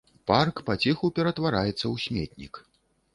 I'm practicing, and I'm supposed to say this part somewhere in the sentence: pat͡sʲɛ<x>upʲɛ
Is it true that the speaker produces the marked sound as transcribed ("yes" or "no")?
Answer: yes